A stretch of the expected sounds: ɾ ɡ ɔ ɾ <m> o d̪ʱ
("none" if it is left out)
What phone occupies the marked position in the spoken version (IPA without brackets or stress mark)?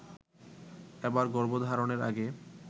b